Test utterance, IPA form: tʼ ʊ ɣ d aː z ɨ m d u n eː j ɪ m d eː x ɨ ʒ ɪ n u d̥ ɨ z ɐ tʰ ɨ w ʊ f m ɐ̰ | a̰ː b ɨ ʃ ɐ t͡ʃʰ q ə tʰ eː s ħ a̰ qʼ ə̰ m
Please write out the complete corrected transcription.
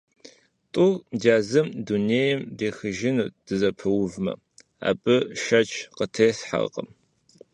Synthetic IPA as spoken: tʼ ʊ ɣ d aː z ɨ m d u n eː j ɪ m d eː x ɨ ʒ ɪ n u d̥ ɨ z ɐ pʰ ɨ w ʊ v m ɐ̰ | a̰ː b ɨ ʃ ɐ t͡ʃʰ q ə tʰ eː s ħ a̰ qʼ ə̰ m